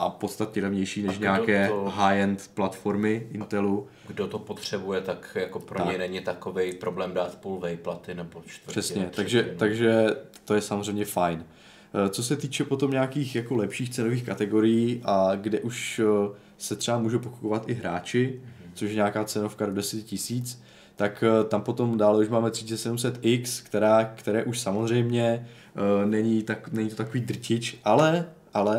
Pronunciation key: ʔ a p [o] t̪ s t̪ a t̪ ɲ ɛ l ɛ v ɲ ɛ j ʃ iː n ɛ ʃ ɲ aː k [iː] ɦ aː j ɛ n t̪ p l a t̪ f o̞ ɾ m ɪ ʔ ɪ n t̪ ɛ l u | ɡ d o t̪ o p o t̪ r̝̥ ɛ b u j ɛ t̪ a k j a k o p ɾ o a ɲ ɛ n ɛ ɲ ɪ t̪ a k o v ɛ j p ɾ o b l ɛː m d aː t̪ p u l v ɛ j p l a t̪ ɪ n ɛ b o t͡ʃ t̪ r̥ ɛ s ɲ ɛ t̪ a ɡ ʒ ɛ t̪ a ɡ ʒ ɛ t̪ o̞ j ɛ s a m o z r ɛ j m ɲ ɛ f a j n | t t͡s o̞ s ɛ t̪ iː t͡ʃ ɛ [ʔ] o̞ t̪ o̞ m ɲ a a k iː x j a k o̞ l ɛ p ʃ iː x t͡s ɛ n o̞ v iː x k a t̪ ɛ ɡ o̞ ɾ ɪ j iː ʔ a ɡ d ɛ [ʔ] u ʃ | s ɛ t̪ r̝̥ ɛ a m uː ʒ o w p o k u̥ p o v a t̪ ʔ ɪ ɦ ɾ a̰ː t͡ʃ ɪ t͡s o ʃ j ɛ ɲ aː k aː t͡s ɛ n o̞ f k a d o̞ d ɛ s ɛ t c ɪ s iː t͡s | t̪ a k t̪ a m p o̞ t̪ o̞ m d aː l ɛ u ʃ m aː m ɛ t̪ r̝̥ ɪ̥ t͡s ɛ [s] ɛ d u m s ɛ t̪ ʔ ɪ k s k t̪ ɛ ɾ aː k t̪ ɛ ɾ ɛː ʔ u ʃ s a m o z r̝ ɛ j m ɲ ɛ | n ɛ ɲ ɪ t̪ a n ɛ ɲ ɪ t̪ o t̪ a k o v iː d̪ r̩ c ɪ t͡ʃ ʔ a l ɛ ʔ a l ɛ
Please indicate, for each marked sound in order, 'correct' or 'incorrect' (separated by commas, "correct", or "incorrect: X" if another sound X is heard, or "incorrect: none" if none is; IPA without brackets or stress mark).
correct, incorrect: ɛː, incorrect: p, correct, correct